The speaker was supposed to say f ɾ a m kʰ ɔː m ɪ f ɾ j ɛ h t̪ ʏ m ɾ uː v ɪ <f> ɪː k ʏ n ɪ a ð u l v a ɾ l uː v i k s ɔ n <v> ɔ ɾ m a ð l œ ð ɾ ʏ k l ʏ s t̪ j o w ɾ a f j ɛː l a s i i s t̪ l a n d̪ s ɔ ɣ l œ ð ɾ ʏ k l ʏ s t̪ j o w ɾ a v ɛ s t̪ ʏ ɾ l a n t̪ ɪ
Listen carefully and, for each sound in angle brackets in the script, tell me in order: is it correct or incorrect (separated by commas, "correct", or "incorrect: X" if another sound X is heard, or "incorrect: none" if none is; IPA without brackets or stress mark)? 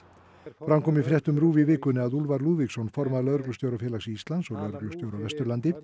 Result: incorrect: v, incorrect: f